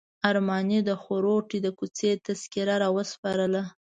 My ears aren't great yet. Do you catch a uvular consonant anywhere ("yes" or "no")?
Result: no